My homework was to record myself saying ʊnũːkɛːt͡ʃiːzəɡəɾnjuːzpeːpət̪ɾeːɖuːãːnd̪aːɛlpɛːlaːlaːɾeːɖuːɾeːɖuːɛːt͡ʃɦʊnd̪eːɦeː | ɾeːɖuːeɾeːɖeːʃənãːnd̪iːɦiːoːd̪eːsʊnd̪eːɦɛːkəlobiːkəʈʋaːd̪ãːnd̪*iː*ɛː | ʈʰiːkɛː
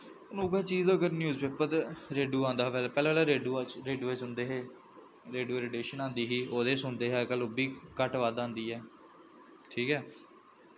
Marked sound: correct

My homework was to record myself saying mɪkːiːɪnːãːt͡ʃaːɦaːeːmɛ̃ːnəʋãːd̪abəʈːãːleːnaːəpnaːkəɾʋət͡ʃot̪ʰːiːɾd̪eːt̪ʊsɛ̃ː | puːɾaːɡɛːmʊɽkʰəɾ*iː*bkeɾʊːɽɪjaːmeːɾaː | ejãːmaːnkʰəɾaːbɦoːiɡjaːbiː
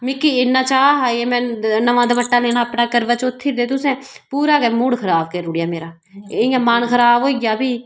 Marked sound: incorrect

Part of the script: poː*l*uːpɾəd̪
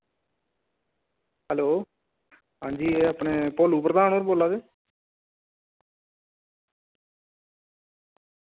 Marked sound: correct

